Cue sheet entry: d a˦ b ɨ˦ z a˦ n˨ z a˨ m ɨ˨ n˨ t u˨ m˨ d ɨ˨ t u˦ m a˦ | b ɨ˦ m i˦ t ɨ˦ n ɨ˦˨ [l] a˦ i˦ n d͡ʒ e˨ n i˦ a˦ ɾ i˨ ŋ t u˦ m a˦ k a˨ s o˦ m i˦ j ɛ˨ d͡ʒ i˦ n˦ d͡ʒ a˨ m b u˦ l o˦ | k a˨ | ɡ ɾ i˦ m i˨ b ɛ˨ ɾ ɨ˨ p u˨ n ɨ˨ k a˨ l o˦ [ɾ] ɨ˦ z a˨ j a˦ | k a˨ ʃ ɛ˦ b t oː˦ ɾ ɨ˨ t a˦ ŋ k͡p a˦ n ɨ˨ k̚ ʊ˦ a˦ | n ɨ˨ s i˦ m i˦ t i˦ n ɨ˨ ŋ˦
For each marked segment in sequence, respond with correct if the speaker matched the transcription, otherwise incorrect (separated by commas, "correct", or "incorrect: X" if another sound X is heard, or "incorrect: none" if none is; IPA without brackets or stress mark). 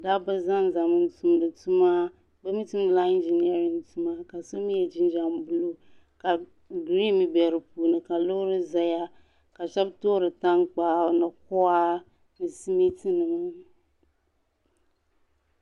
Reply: correct, correct